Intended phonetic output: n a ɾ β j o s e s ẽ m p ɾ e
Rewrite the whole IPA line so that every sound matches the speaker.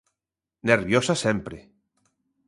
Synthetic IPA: n e ɾ β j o s a s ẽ m p ɾ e